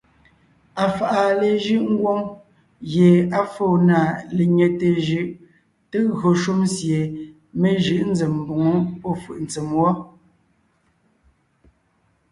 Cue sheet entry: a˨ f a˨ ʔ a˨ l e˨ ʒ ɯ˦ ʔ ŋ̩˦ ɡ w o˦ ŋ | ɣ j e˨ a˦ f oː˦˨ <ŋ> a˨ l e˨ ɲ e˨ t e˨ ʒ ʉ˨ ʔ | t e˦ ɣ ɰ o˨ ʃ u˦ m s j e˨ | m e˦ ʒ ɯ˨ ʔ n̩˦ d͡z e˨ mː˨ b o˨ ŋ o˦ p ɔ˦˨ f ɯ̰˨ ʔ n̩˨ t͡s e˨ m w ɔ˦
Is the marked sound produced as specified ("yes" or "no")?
no